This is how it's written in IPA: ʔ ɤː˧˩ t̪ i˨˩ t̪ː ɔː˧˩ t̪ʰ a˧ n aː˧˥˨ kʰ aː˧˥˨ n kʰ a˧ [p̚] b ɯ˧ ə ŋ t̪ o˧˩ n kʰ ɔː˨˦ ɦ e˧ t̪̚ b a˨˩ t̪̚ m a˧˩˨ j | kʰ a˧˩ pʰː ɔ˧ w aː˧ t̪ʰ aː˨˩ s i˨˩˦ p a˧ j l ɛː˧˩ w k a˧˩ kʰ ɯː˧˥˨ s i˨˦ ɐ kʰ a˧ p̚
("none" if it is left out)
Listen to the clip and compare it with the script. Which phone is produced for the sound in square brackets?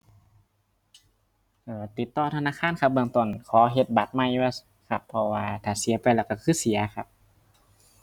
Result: p̚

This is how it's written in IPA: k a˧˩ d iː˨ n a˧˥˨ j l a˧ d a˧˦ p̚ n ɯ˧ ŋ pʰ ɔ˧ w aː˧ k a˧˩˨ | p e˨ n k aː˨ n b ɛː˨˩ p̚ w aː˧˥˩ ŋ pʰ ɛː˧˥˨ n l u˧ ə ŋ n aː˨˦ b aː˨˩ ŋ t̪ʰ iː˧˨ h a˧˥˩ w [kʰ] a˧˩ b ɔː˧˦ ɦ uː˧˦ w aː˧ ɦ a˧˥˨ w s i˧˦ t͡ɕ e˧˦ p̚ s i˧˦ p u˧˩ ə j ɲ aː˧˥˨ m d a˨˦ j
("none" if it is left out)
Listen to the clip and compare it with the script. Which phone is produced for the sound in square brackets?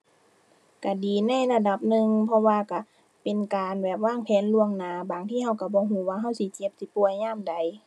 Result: k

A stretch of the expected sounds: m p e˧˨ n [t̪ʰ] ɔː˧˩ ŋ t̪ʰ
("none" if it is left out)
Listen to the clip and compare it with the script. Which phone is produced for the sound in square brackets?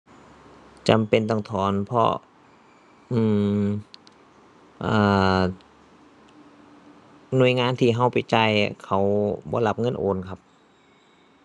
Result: t̪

